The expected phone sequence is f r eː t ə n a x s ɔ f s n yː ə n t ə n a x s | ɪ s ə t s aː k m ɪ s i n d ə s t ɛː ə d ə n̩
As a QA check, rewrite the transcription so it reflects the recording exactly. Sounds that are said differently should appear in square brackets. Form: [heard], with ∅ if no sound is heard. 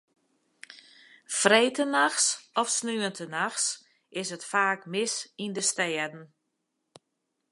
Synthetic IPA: f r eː t ə n a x s ɔ f s n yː ə n t ə n a x s | ɪ s ə t [f] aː k m ɪ s i n d ə s t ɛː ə d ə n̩